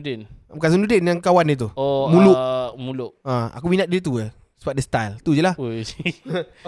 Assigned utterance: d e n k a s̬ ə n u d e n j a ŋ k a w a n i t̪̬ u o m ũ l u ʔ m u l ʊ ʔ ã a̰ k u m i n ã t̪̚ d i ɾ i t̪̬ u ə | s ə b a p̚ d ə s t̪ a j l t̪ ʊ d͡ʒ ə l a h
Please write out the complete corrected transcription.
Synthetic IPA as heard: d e n k a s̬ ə n u d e n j a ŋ k a w a n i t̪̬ u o m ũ l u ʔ m u l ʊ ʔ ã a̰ k u m i n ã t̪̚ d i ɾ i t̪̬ u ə | s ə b a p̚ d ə s t̪ a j l t̪ u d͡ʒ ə l a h